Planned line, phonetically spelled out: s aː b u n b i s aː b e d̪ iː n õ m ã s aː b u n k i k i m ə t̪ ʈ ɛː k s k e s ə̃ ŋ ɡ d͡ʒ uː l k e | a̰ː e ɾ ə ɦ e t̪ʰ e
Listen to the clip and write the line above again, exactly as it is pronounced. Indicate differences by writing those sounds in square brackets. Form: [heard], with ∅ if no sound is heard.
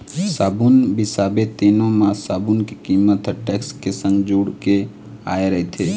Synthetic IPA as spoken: s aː b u n b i s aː b e [t̪] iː n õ m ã s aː b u n k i k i m ə t̪ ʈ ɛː k s k e s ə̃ ŋ ɡ d͡ʒ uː [ɽ] k e | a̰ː e ɾ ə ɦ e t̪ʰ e